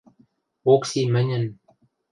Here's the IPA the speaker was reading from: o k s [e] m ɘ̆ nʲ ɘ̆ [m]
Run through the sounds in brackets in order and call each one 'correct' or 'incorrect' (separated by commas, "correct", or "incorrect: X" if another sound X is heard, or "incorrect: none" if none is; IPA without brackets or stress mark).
incorrect: i, incorrect: n